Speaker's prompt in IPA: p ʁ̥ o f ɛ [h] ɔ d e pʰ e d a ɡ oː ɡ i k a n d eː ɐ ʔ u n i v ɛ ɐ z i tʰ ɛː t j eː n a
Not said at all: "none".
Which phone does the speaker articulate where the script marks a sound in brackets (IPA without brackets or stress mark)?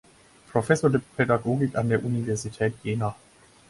s